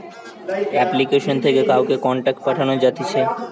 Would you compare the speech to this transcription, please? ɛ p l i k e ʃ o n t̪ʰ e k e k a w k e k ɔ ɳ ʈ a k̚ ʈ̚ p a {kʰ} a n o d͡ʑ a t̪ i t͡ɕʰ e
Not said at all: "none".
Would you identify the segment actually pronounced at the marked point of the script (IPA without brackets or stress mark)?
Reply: ʈʰ